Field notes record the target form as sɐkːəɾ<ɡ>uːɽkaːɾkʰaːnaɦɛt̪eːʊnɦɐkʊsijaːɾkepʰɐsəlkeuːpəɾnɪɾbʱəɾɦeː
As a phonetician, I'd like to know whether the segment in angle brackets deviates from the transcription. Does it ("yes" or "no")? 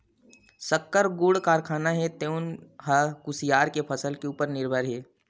no